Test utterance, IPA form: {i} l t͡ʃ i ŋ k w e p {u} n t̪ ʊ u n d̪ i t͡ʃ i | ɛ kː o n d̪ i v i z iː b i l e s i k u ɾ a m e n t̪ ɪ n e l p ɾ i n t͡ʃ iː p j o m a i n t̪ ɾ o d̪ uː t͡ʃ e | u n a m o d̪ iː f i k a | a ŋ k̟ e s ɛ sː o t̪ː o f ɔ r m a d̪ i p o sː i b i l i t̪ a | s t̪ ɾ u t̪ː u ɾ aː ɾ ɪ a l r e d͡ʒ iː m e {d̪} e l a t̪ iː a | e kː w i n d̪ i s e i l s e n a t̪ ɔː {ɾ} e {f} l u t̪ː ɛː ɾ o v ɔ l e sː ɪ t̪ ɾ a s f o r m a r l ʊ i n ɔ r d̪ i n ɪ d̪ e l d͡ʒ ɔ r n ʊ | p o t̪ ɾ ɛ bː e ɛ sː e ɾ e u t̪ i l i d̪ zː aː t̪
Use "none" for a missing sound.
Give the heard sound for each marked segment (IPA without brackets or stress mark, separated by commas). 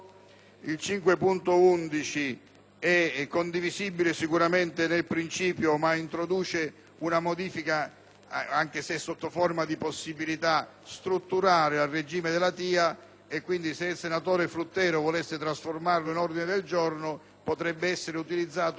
i, u, d̪, ɾ, f